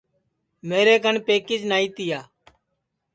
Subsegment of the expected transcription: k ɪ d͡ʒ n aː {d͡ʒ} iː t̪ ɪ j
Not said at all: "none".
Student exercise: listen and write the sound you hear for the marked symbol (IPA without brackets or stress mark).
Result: none